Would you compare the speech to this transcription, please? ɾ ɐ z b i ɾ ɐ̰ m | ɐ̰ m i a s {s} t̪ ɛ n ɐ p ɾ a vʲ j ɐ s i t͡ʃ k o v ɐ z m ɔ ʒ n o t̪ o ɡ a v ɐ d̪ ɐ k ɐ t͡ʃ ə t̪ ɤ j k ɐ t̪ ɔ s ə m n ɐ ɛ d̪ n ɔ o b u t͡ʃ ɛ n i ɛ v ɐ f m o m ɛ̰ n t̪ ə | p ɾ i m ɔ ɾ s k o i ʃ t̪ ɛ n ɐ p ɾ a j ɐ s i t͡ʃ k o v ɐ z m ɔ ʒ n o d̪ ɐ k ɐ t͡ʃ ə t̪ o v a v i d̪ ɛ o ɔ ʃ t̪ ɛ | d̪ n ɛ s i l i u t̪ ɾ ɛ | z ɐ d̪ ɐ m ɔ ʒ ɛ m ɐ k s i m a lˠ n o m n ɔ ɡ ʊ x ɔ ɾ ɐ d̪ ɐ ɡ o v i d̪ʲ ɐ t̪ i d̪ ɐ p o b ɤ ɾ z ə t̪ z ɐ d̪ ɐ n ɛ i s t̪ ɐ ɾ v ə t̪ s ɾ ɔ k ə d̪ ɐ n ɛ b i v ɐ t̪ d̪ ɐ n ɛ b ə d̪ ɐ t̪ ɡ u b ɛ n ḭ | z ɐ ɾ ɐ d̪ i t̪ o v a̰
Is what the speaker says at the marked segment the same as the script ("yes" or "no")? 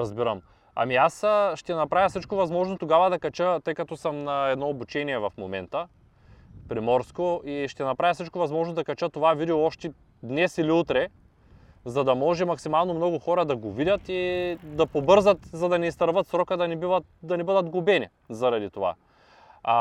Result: no